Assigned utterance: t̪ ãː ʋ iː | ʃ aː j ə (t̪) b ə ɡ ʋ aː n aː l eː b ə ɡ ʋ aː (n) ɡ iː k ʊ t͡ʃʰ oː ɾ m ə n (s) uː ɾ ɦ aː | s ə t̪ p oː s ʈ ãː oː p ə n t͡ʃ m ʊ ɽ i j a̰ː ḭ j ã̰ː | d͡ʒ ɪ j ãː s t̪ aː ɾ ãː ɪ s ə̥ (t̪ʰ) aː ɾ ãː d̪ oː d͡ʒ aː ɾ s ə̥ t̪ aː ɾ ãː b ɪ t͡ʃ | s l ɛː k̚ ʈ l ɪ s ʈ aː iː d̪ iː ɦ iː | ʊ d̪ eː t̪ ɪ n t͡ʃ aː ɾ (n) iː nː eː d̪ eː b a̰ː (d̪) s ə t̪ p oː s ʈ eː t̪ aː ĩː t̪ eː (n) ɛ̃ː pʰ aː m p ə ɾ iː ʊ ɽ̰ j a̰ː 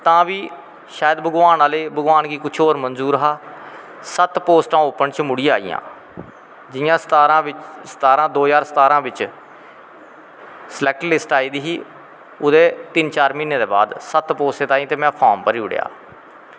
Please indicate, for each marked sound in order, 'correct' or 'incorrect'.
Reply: incorrect: d̪, correct, incorrect: z, incorrect: t̪, incorrect: m, correct, incorrect: m

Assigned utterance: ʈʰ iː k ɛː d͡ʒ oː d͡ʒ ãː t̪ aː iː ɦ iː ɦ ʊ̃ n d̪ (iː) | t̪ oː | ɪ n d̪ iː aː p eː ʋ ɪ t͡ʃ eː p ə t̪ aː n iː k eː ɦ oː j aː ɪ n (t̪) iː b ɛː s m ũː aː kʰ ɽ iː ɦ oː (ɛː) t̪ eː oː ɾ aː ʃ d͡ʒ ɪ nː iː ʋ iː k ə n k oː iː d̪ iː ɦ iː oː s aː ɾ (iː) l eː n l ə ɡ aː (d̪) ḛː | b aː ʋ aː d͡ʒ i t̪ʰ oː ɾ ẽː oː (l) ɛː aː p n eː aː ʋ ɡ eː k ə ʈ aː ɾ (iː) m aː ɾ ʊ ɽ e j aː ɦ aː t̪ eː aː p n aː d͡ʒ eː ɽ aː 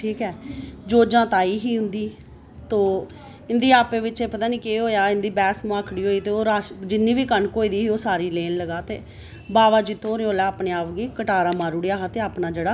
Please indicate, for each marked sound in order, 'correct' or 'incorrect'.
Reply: correct, incorrect: d̪, incorrect: iː, correct, incorrect: t̪, correct, incorrect: aː

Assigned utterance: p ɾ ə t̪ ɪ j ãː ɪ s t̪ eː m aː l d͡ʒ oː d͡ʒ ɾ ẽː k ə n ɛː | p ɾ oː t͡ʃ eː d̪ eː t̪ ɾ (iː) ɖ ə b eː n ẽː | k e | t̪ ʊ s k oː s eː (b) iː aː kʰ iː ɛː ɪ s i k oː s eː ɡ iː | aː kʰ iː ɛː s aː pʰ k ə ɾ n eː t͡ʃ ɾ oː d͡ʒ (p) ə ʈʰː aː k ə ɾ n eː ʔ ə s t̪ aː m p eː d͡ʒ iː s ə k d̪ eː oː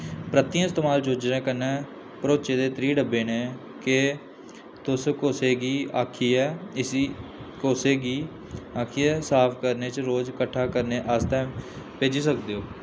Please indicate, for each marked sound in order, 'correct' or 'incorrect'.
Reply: correct, incorrect: ɡ, incorrect: k

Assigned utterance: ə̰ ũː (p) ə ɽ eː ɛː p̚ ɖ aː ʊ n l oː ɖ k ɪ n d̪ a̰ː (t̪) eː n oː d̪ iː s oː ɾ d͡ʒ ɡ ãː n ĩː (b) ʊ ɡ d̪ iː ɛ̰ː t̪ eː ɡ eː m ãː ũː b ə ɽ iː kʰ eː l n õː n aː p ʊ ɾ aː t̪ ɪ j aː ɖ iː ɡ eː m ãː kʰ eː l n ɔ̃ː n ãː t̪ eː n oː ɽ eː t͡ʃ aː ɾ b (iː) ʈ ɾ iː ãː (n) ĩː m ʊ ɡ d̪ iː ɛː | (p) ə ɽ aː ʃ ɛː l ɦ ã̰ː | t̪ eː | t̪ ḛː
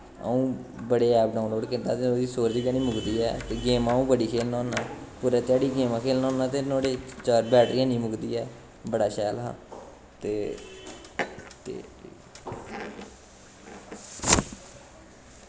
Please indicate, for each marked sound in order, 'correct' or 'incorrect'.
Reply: incorrect: b, correct, incorrect: m, incorrect: ɛː, correct, incorrect: b

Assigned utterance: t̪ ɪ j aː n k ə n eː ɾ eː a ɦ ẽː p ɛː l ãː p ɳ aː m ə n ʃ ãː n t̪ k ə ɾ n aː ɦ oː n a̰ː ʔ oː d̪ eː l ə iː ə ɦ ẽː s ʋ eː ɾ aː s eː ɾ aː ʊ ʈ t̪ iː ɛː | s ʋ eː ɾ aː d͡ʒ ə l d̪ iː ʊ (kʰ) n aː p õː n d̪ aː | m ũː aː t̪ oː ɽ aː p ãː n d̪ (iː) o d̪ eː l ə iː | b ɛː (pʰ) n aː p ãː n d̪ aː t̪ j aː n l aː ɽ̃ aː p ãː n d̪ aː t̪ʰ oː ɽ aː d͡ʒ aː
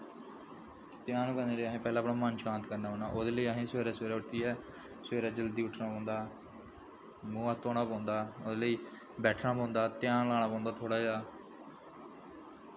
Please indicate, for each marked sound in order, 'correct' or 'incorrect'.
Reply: incorrect: ʈʰ, incorrect: aː, incorrect: ʈʰ

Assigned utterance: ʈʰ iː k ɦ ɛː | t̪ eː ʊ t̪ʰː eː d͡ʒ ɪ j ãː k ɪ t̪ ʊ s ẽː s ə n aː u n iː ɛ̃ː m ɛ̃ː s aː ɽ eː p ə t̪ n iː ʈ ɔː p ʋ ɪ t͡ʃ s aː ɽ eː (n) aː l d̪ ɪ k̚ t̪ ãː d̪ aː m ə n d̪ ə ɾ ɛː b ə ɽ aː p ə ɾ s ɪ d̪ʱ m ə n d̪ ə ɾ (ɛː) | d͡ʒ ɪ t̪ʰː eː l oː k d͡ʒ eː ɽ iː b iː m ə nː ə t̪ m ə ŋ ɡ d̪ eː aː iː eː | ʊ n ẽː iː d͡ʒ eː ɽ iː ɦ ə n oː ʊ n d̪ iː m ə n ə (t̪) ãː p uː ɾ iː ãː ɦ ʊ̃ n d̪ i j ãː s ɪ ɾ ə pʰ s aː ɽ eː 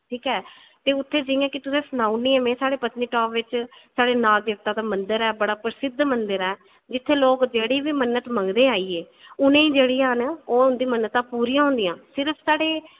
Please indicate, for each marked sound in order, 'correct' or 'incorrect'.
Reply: correct, correct, correct

